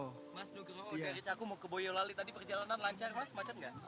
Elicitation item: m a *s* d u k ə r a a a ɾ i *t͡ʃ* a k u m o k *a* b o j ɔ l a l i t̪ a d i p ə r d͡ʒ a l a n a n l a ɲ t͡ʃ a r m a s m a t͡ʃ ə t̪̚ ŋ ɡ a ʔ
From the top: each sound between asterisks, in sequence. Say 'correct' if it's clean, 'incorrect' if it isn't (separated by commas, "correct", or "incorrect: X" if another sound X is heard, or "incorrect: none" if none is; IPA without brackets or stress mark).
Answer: correct, correct, incorrect: ə